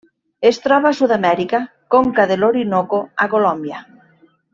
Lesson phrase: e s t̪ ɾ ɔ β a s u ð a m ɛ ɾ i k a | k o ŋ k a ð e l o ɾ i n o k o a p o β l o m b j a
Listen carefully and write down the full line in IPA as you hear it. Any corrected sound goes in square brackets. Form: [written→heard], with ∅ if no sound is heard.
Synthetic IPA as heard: e s t̪ ɾ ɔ β a s u ð a m ɛ ɾ i k a | k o ŋ k a ð e l o ɾ i n o k o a [p→k] o [β→∅] l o m b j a